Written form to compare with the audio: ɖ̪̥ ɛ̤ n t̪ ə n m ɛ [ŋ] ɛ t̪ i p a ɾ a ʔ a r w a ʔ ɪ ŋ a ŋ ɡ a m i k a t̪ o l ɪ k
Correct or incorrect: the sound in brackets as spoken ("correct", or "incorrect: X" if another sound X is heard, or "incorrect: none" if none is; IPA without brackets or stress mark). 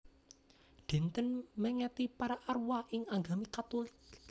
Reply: correct